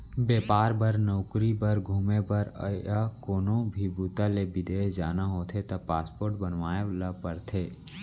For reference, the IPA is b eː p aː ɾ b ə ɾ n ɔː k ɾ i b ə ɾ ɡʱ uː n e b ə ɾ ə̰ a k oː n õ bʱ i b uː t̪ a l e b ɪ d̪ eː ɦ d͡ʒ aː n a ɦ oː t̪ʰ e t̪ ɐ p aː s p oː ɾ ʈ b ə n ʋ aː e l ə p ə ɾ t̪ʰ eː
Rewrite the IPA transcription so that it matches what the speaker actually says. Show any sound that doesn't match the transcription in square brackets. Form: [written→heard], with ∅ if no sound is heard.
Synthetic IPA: b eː p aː ɾ b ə ɾ n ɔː k ɾ i b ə ɾ ɡʱ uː [n→m] e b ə ɾ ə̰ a k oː n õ bʱ i b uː t̪ a l e b ɪ d̪ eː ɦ d͡ʒ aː n a ɦ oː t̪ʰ e t̪ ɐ p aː s p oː ɾ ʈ b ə n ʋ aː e l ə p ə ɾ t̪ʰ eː